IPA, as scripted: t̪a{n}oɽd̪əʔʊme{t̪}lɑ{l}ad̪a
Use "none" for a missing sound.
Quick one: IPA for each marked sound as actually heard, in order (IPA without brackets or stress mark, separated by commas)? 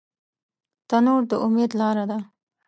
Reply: n, d̪, ɾ